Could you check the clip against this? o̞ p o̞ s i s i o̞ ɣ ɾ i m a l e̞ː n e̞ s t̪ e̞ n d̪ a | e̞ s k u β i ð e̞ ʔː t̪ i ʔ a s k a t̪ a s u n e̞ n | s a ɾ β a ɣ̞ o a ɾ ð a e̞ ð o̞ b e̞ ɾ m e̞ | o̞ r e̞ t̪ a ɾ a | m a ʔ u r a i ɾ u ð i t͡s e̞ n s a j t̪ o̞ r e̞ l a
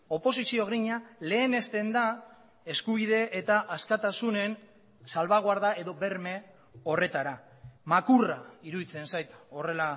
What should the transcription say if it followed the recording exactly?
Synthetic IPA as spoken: o̞ p o̞ s i s i o̞ ɣ ɾ i ɲ a l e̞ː n e̞ s t̪ e̞ n d̪ a | e̞ s k u β i ð e̞ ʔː t̪ a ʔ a s k a t̪ a s u n e̞ n | s a l β a ɣ̞ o a ɾ ð a e̞ ð o̞ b e̞ ɾ m e̞ | o̞ r e̞ t̪ a ɾ a | m a k u r a i ɾ u ð i t͡s e̞ n s a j t̪ o̞ r e̞ l a

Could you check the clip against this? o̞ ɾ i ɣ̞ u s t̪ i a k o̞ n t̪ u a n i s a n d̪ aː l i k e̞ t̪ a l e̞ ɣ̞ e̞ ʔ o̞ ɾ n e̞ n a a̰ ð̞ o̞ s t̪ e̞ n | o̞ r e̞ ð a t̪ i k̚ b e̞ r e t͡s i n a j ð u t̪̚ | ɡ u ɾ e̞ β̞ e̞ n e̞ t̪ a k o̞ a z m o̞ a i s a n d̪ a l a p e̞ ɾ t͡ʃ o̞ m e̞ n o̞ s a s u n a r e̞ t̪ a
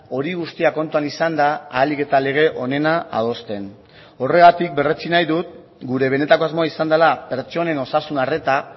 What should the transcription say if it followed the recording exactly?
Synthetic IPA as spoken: o̞ ɾ i ɣ̞ u s t̪ i a k o̞ n t̪ u a n i s a n d̪ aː l i k e̞ t̪ a l e̞ ɣ̞ e̞ ʔ o̞ n e̞ n a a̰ ð̞ o̞ s t̪ e̞ n | o̞ r e̞ ɣ a t̪ i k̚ b e̞ r e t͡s i n a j ð u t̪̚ | ɡ u ɾ e̞ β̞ e̞ n e̞ t̪ a k o̞ a z m o̞ a i s a n d̪ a l a p e̞ ɾ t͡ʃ o̞ n e̞ n o̞ s a s u n a r e̞ t̪ a

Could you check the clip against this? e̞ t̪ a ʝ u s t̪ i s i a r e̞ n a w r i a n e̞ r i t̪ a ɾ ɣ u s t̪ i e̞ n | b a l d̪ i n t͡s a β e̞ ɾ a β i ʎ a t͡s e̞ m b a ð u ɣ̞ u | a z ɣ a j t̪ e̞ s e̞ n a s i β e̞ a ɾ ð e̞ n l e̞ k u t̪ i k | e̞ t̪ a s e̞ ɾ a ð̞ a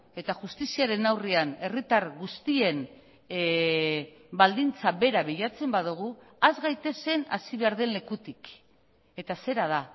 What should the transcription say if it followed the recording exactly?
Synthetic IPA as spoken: e̞ t̪ a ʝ u s t̪ i s i a ɾ e̞ n a w r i a n e̞ r i t̪ a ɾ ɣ u s t̪ i e̞ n | b a l d̪ i n t͡s a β e̞ ɾ a β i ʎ a t͡s e̞ m b a ð u ɣ̞ u | a z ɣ a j t̪ e̞ s e̞ n a s i β e̞ a ɾ ð e̞ n l e̞ k u t̪ i k | e̞ t̪ a s e̞ ɾ a ð̞ a

